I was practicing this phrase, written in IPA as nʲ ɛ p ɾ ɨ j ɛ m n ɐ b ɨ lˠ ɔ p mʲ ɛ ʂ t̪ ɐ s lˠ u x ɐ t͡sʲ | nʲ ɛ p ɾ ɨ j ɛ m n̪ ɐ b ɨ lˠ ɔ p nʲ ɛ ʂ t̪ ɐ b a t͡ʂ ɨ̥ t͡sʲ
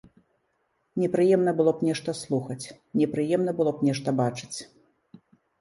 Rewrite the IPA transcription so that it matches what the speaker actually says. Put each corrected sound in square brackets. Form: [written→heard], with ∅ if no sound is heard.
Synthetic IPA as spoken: nʲ ɛ p ɾ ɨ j ɛ m n ɐ b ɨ lˠ ɔ p [mʲ→nʲ] ɛ ʂ t̪ ɐ s lˠ u x ɐ t͡sʲ | nʲ ɛ p ɾ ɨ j ɛ m n̪ ɐ b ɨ lˠ ɔ p nʲ ɛ ʂ t̪ ɐ b a t͡ʂ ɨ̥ t͡sʲ